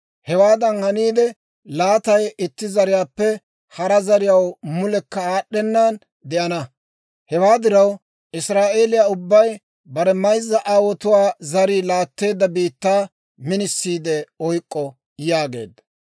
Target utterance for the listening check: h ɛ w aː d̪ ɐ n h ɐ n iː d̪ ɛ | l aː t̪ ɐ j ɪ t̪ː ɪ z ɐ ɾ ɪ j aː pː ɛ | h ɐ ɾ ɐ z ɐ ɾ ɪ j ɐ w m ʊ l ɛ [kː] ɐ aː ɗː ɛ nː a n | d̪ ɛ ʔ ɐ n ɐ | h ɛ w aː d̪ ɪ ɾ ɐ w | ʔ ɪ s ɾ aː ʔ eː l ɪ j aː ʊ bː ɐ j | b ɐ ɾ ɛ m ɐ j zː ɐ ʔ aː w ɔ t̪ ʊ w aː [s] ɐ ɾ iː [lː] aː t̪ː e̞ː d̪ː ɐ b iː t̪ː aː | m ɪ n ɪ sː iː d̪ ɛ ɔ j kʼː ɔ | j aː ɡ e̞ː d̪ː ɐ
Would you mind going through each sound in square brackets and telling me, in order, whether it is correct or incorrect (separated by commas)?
correct, incorrect, incorrect